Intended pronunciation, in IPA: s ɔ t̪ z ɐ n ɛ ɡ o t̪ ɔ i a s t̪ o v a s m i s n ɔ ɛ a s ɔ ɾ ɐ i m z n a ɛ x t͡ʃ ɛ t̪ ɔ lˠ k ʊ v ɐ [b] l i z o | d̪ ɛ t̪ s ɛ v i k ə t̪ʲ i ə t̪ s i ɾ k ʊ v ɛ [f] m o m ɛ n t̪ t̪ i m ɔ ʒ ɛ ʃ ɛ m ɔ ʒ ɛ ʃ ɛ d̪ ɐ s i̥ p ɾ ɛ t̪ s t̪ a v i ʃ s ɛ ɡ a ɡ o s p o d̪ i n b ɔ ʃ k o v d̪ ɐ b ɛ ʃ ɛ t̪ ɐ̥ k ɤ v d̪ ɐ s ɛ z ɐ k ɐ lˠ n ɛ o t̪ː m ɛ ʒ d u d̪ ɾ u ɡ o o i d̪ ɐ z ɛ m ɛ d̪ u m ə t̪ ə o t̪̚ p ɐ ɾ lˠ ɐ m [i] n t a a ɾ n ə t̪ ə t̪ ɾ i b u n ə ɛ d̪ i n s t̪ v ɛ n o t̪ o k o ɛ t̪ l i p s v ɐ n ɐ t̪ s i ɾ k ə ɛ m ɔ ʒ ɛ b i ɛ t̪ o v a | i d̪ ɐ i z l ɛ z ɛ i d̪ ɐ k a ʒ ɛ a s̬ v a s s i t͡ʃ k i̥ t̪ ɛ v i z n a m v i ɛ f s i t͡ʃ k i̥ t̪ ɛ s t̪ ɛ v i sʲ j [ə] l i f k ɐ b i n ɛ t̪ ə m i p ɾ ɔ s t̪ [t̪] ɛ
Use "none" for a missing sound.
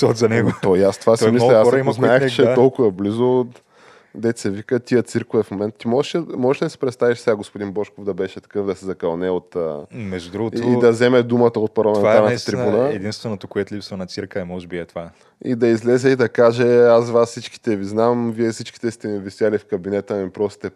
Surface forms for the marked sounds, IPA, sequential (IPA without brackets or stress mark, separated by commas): b, f, ɛ, a, t̪